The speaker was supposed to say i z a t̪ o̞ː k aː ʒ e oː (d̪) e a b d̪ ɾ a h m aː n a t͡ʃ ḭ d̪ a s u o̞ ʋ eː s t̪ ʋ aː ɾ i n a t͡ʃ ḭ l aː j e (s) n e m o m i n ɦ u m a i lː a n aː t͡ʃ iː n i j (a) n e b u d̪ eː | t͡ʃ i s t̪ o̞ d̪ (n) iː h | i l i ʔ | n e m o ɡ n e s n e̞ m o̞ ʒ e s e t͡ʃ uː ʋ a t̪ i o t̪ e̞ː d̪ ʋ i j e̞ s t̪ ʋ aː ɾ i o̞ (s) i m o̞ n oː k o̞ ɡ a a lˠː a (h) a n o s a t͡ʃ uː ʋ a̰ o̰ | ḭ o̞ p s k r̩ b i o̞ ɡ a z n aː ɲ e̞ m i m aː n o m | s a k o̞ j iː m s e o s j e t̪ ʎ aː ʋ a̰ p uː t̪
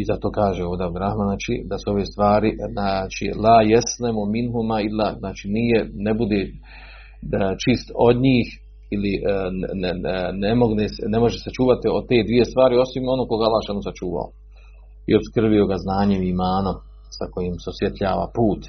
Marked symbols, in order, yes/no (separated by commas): yes, yes, no, no, yes, no